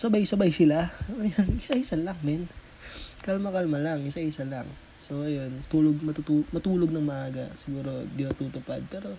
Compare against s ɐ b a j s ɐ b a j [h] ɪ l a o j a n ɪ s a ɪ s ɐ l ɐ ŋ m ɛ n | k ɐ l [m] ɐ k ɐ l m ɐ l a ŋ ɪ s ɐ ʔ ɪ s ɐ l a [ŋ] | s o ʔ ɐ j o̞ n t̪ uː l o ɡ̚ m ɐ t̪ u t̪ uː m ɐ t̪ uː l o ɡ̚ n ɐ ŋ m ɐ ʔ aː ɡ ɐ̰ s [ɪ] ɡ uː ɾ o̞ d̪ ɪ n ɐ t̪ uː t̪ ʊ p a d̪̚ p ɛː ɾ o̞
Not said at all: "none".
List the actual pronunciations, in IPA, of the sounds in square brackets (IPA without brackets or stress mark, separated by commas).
s, m, ŋ, ɪ